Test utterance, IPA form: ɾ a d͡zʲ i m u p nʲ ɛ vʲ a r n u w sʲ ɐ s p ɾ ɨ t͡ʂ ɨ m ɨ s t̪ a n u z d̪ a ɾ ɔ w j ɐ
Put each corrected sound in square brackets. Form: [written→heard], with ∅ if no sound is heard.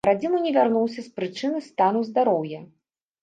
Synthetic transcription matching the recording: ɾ a d͡zʲ i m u [p→∅] nʲ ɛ vʲ a r n u w sʲ ɐ s p ɾ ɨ t͡ʂ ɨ [m→n] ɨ s t̪ a n u z d̪ a ɾ ɔ w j ɐ